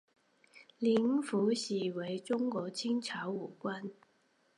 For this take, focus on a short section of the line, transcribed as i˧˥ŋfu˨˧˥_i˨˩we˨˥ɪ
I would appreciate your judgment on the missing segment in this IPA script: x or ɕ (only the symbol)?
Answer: ɕ